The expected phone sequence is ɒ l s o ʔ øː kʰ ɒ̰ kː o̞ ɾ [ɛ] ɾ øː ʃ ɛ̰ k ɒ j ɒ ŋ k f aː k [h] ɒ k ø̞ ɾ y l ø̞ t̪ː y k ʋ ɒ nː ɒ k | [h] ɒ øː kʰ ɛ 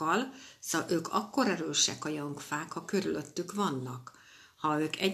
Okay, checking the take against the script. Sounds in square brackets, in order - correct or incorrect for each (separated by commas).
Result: correct, correct, correct